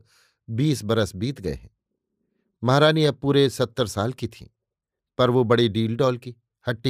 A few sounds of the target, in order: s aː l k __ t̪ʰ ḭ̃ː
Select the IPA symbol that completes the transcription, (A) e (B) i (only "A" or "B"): B